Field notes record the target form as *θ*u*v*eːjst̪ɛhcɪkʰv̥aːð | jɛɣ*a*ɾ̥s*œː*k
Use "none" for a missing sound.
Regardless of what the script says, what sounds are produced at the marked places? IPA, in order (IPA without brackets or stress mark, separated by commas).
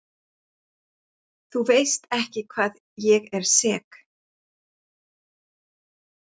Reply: θ, v, ɛ, ɛː